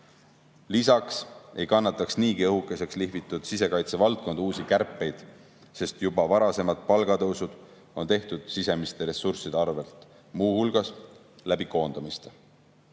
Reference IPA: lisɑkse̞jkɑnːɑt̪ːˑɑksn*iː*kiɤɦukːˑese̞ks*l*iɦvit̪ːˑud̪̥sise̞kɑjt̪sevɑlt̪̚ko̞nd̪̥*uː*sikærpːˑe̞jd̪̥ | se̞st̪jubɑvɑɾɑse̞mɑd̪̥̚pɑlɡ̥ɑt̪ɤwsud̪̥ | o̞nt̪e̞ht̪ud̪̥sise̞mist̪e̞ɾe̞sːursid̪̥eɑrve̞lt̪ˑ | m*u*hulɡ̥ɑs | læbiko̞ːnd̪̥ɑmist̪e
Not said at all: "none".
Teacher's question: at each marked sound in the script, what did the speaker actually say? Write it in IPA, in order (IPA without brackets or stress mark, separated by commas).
iː, l, uː, uː